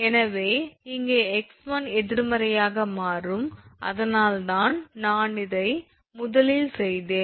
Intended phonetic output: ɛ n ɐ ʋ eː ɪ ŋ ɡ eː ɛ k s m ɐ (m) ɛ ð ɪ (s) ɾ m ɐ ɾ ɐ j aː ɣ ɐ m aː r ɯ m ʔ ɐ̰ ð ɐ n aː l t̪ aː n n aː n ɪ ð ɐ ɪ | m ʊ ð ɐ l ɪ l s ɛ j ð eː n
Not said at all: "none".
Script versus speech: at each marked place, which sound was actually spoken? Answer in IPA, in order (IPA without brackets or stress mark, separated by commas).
n, none